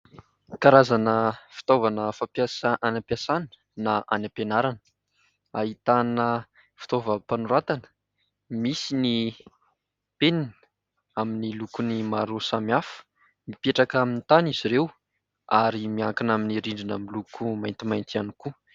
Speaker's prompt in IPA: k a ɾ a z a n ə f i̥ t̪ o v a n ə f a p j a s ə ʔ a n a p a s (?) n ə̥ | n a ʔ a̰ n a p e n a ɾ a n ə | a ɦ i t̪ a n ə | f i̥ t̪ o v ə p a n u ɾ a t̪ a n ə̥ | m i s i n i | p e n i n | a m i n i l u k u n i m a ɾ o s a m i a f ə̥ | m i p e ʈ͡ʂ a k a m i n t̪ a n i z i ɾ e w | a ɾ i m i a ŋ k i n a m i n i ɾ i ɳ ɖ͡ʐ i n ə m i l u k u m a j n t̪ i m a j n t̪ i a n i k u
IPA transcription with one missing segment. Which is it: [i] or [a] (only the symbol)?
a